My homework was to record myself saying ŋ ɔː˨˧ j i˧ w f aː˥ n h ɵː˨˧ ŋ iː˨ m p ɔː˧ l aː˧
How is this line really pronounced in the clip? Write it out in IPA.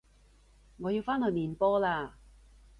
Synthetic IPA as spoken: ŋ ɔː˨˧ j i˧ w f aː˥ n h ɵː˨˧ m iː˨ n p ɔː˥ l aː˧